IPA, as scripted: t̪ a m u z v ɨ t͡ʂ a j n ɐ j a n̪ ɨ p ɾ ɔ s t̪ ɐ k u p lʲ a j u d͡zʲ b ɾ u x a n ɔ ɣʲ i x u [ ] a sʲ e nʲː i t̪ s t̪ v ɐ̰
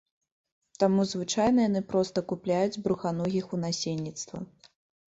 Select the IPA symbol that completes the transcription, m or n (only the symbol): n